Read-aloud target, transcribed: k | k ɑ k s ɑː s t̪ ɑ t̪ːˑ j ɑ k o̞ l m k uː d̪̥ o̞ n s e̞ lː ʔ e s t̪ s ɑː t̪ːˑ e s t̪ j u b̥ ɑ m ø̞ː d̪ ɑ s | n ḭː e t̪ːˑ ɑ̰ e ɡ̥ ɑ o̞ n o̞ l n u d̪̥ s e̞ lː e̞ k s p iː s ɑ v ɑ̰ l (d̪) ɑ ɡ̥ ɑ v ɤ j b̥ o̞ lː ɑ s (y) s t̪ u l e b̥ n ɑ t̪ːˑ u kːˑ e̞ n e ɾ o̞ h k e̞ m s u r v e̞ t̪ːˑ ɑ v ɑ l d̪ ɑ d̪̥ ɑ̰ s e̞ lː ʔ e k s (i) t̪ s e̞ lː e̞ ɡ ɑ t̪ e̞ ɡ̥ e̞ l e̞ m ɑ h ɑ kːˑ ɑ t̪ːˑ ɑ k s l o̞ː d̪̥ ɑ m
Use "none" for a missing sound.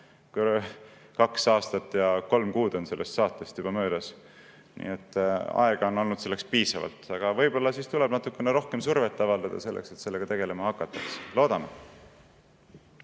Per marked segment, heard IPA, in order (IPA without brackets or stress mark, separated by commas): t̪, i, e